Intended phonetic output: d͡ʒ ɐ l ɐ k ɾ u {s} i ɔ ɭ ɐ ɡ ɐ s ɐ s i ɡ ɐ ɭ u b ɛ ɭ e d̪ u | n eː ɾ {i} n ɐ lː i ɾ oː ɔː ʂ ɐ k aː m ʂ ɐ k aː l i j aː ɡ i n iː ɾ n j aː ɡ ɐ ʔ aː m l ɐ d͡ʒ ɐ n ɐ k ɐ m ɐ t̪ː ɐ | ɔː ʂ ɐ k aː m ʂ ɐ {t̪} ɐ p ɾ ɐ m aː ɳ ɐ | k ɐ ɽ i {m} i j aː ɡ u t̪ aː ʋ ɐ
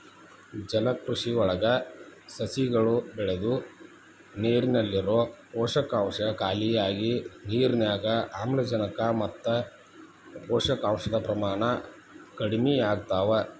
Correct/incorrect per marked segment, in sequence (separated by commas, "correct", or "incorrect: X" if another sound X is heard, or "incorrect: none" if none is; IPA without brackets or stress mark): incorrect: ʂ, correct, incorrect: d̪, correct